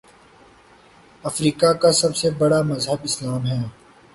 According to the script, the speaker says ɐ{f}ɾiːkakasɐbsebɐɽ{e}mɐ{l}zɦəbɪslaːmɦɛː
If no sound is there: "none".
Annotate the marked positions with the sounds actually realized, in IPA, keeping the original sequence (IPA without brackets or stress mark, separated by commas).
f, a, none